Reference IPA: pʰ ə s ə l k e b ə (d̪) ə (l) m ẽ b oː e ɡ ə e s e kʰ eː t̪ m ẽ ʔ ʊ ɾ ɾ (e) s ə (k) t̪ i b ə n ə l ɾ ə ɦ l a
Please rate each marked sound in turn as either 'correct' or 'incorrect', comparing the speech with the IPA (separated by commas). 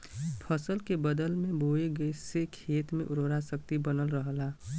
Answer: correct, correct, incorrect, correct